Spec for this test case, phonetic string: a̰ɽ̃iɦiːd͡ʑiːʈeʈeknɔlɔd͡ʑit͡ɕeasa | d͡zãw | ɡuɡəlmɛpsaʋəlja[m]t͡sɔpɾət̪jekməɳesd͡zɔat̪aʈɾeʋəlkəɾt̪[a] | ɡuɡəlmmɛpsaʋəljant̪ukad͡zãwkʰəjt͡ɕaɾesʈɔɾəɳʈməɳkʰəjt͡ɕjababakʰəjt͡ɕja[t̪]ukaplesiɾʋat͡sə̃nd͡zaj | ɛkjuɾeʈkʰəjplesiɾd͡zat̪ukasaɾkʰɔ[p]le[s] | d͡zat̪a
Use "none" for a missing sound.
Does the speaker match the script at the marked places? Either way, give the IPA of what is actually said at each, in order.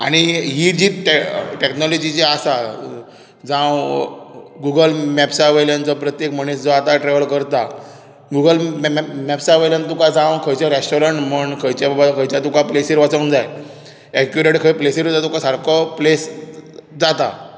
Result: n, a, t̪, p, s

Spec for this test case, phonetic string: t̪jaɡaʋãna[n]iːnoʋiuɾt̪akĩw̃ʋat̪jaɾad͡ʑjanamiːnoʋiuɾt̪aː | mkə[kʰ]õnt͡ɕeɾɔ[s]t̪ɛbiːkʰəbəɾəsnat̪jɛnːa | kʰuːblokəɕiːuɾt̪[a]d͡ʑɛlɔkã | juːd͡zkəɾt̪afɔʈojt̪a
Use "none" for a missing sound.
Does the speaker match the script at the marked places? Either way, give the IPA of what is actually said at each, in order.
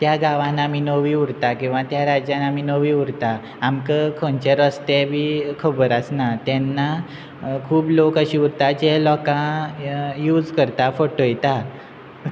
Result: m, kʰ, s, a

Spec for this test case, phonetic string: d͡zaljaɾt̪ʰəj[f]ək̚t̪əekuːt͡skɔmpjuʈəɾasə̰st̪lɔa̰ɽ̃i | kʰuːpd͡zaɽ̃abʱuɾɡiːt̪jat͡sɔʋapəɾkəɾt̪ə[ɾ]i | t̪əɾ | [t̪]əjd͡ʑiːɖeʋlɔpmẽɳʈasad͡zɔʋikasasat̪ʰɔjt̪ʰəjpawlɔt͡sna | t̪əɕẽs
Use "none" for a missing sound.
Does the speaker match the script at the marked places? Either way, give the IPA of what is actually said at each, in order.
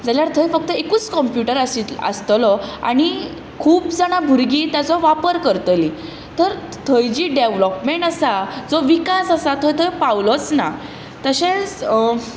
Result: f, l, t̪ʰ

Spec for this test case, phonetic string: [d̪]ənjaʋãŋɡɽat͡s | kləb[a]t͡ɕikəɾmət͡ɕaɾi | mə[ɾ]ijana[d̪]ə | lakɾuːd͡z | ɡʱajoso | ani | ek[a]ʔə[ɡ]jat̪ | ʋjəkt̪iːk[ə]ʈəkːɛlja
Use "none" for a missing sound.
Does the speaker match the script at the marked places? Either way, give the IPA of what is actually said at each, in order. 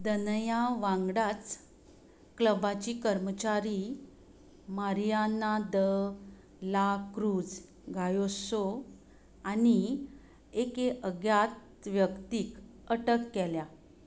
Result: d̪, a, ɾ, d̪, e, ɡ, ə

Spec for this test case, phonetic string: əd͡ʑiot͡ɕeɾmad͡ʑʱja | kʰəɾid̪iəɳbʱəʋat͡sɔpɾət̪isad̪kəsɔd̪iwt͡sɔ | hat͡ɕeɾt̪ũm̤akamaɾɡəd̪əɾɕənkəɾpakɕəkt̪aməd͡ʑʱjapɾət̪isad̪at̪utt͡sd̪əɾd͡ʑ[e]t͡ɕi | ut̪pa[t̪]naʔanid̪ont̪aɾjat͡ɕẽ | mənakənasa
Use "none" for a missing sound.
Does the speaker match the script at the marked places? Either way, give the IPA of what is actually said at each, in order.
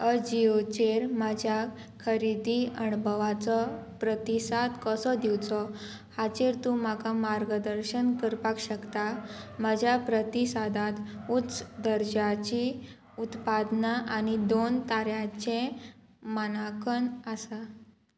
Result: a, d̪

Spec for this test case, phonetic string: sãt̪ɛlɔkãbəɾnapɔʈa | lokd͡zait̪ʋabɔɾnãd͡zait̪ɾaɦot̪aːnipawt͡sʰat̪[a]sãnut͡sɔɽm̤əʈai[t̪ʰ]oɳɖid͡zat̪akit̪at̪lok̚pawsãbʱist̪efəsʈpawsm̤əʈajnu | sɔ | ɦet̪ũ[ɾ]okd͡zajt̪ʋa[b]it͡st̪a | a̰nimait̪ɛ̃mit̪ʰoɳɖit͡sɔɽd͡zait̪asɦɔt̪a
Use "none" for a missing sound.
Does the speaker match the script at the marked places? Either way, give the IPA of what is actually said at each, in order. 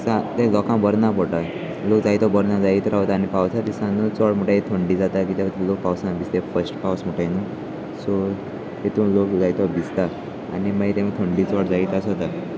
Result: i, t̪ʰ, l, b

